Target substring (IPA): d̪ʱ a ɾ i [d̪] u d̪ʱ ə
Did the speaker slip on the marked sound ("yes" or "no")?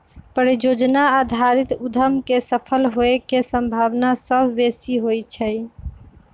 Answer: yes